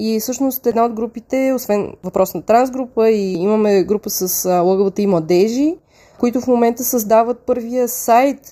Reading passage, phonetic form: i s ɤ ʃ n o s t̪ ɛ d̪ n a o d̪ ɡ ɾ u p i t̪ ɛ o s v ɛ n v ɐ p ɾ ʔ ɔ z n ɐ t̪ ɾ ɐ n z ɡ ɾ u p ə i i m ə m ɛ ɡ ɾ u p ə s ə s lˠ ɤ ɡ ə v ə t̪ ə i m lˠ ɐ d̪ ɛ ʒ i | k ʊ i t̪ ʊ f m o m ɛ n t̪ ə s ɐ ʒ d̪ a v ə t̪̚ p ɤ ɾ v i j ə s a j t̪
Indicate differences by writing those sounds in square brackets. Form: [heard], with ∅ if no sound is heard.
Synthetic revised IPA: i s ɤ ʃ n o s t̪ ɛ d̪ n a o d̪ ɡ ɾ u p i t̪ ɛ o s v ɛ n v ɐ p ɾ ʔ ɔ [s] n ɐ t̪ ɾ [a] n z ɡ ɾ u p ə i i m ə m ɛ ɡ ɾ u p ə s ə s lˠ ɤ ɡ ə v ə t̪ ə i m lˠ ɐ d̪ ɛ ʒ i | k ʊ i t̪ ʊ f m o m ɛ n t̪ ə s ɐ [z] d̪ a v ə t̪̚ p ɤ ɾ v i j ə s a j t̪